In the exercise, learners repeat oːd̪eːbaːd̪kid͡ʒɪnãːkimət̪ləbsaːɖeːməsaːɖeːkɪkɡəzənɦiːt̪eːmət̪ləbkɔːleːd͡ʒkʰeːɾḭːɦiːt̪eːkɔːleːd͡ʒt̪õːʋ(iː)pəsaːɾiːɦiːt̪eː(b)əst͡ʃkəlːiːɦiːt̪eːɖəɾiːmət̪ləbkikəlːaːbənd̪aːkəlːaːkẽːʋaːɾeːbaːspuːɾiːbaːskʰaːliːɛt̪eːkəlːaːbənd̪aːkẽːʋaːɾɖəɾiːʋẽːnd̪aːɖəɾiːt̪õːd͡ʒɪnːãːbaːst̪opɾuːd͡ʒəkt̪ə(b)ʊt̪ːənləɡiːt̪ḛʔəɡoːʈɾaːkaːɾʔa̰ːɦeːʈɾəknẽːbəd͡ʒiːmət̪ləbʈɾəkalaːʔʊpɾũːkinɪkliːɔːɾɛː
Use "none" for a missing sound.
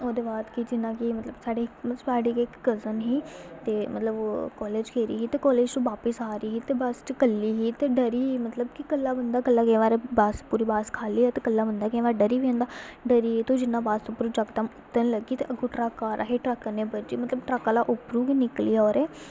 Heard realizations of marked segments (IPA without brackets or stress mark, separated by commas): aː, b, m